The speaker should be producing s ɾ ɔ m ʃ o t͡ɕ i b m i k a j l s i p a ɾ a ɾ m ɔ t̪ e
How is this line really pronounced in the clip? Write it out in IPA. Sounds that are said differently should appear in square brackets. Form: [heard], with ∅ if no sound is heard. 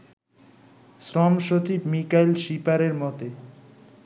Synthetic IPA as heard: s ɾ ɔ m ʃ o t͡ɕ i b m i k a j l [ʃ] i p a ɾ [e] ɾ m ɔ t̪ e